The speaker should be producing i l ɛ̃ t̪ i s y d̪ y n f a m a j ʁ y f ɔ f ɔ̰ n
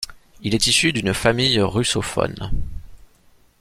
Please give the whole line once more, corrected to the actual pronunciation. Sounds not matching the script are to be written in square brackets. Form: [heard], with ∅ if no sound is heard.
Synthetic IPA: i l [ɛ] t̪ i s y d̪ y n f a m [i] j ʁ y [s] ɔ f ɔ̰ n